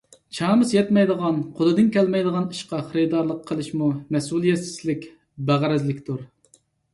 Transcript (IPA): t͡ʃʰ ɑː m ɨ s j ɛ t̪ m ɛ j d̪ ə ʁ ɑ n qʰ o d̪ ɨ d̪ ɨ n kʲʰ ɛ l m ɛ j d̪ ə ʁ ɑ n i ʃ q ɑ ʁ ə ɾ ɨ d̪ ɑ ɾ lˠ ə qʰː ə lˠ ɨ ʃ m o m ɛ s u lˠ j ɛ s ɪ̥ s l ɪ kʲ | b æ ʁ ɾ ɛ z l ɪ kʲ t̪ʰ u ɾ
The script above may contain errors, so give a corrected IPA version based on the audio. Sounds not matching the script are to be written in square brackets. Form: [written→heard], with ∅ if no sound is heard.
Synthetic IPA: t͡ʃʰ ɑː m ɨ s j ɛ t̪ m ɛ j d̪ ə ʁ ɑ n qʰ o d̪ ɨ d̪ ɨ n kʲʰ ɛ l m ɛ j d̪ ə ʁ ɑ n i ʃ q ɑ [ʁ→χ] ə ɾ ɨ d̪ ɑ ɾ lˠ ə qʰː ə lˠ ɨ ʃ m [o→u] m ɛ s u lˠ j ɛ s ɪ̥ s l ɪ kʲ | b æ ʁ ɾ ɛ z l ɪ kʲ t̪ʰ u ɾ